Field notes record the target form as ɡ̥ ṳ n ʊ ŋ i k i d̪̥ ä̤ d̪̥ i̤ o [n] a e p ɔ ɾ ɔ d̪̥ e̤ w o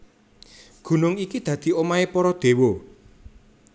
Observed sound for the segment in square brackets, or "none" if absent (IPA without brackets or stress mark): m